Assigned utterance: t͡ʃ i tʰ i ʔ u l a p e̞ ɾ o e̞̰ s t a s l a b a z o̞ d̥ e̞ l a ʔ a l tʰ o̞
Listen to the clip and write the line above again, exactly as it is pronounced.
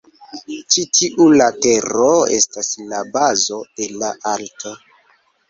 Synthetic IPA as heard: t͡ʃ i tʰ i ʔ u l a t e̞ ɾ o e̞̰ s t a s l a b a z o̞ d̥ e̞ l a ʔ a l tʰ o̞